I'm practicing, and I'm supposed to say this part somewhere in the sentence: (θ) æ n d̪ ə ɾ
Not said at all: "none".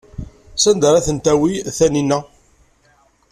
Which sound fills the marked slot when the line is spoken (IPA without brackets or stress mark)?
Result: s